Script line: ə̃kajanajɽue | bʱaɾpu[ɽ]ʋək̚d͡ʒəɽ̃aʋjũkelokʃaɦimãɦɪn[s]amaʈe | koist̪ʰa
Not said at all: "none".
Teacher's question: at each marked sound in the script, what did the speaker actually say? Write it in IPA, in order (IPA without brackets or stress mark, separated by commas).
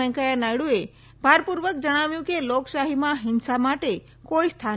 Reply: ɾ, s